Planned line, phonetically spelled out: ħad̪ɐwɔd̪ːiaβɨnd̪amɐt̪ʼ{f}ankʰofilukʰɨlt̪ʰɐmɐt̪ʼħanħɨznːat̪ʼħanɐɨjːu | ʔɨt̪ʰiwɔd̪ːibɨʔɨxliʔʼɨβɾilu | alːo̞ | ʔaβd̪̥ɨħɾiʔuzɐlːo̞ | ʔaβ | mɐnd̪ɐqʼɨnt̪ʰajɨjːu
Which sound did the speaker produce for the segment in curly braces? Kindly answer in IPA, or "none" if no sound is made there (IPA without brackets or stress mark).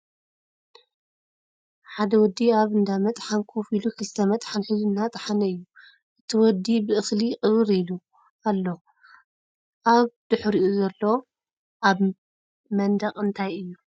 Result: ħ